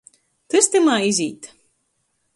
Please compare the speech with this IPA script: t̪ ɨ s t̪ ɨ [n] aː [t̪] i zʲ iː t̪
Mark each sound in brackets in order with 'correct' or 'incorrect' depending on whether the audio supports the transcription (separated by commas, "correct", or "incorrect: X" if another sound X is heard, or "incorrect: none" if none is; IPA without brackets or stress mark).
incorrect: m, incorrect: none